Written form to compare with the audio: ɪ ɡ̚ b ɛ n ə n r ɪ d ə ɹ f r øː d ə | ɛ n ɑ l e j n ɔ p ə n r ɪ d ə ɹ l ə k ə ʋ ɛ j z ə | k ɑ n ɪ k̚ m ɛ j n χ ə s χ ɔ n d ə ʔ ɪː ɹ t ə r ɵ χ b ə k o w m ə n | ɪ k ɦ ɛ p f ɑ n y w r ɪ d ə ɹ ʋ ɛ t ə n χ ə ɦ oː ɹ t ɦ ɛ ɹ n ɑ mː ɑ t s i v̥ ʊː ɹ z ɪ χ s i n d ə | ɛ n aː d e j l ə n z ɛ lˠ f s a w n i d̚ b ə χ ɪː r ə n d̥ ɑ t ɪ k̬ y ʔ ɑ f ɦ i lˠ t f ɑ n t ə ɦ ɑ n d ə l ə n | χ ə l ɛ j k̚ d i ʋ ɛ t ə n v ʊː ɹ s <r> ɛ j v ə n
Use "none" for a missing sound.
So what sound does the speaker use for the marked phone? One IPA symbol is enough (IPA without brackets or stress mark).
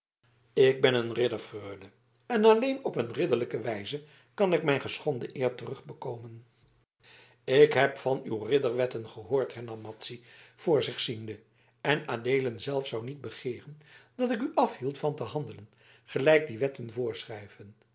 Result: r